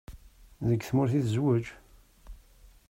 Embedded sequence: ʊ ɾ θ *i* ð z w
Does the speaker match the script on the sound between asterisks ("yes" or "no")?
yes